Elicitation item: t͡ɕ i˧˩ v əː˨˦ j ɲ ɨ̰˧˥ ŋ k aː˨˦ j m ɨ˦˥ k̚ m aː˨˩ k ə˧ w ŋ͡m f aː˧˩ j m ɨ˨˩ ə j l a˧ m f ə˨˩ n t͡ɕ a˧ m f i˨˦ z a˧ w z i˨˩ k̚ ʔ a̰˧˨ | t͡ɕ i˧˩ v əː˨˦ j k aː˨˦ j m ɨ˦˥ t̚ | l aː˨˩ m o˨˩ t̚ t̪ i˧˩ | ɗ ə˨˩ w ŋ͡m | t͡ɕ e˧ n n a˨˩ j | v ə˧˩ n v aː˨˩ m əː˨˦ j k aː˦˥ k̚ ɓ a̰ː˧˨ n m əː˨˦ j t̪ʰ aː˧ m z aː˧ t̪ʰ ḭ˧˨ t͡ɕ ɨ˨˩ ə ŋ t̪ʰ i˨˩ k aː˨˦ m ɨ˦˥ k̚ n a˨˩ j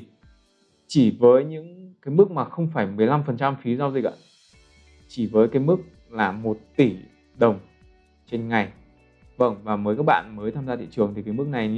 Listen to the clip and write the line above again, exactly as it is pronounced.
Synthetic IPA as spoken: t͡ɕ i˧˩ v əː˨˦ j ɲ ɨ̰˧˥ ŋ k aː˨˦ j m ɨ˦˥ k̚ m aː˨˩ x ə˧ w ŋ͡m f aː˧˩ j m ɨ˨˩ ə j l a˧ m f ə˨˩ n t͡ɕ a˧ m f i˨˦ z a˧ w z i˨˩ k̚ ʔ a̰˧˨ | t͡ɕ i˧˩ v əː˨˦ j k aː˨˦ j m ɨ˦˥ k̚ | l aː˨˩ m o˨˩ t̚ t̪ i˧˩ | ɗ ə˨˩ w ŋ͡m | t͡ɕ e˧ n ŋ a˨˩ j | v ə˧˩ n v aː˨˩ m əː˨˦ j k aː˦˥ k̚ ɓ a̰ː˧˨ n m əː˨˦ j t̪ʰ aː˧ m z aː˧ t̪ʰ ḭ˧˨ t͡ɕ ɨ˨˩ ə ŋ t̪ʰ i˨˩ k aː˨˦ m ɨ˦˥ k̚ n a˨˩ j